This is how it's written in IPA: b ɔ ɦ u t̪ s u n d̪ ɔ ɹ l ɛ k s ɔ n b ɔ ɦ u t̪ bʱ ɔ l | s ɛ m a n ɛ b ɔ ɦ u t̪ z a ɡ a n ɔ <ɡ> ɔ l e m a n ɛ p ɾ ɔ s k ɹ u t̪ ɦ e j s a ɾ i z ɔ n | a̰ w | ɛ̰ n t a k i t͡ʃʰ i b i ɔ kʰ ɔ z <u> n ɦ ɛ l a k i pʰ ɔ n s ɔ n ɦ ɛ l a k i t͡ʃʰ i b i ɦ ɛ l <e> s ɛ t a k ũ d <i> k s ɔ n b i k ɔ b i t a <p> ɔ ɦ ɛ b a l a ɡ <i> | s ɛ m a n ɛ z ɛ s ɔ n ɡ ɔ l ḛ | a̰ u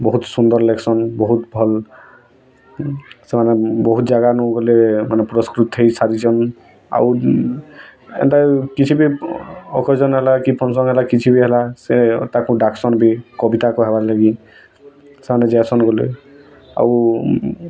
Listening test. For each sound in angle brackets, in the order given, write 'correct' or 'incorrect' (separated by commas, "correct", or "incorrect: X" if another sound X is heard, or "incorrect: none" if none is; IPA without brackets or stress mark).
correct, incorrect: ɔ, incorrect: a, incorrect: a, incorrect: k, correct